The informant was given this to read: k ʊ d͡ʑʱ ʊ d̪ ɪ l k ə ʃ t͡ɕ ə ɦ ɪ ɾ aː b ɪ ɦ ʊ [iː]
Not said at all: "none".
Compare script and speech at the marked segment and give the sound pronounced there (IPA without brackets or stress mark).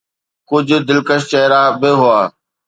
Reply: aː